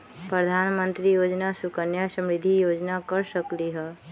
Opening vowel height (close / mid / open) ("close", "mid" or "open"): mid